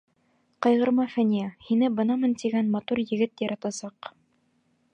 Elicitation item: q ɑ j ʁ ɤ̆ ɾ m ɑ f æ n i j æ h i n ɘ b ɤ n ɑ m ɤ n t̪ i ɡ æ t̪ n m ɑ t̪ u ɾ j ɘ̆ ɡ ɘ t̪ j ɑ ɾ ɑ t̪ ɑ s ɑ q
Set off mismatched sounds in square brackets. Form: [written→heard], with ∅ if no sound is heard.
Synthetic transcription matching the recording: q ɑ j ʁ ɤ̆ ɾ m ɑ f æ n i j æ h i n ɘ b ɤ n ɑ m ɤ n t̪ i ɡ æ [t̪→∅] n m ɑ t̪ u ɾ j ɘ̆ ɡ ɘ t̪ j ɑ ɾ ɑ t̪ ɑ s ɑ q